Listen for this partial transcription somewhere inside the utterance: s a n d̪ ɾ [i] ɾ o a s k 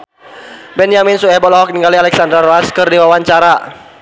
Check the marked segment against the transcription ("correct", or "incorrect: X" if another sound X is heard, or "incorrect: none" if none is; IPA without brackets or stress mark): incorrect: a